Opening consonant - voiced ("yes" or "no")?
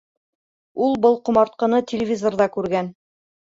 yes